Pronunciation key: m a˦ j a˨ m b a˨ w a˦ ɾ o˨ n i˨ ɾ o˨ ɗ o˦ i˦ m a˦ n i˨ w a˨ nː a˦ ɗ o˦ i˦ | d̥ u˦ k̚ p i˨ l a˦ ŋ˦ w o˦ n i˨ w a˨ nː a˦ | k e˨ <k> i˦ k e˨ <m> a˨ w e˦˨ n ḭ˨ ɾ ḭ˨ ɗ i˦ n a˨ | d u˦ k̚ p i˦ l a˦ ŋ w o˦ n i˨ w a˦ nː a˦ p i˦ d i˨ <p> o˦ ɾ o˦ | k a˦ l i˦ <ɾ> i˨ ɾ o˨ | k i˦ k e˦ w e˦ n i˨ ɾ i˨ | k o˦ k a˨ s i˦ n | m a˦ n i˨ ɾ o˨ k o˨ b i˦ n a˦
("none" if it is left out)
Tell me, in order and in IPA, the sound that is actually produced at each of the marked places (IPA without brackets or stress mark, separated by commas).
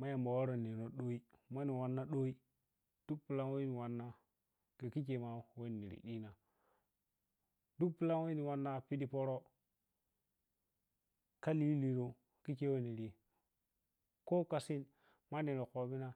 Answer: k, m, p, l